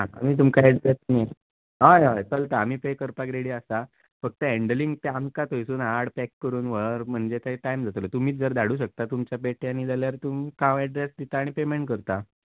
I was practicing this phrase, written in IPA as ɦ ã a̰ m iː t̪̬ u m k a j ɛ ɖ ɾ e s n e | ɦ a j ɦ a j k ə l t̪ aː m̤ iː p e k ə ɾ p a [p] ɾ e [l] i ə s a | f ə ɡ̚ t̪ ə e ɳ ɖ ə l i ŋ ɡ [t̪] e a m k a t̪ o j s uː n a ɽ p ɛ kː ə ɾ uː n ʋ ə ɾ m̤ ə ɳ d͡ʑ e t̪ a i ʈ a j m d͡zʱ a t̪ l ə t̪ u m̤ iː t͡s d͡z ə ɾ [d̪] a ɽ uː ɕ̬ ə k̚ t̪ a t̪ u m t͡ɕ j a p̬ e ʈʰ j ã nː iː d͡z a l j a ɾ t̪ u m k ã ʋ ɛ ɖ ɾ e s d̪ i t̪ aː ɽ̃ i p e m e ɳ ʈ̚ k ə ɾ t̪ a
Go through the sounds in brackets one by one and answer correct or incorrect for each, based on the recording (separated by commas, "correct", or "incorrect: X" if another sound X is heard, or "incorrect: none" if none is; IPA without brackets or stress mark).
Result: incorrect: k, incorrect: ɽ, correct, correct